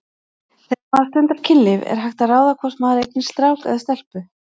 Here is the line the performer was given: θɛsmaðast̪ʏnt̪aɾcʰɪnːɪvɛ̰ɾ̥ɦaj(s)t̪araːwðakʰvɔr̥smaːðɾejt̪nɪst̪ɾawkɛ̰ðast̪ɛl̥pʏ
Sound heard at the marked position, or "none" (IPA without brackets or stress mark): x